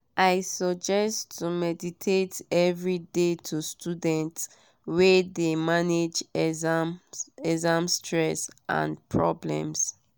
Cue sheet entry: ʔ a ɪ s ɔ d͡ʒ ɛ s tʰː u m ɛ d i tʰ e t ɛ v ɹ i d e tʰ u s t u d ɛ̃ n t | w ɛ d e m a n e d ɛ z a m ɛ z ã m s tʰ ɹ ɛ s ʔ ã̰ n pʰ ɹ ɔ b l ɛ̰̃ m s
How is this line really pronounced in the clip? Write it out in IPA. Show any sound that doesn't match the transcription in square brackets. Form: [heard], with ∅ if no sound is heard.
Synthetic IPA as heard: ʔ a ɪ s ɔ d͡ʒ ɛ s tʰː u m ɛ d i tʰ e t ɛ v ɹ i d e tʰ u s t u d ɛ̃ n t | w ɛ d e m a n e [d͡ʒ] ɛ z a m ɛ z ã m s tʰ ɹ ɛ s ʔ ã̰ n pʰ ɹ ɔ b l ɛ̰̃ m s